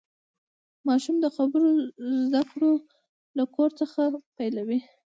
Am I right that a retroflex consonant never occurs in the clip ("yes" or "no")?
no